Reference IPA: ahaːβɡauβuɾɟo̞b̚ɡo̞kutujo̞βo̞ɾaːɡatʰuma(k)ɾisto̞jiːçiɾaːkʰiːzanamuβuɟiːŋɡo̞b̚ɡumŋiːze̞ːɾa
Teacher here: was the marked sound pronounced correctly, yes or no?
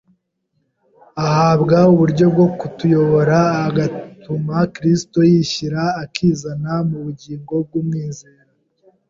yes